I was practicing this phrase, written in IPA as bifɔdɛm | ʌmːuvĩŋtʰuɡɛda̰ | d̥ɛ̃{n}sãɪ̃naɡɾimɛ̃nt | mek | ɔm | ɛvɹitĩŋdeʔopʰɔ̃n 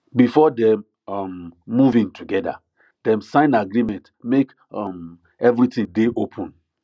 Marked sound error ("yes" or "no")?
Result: yes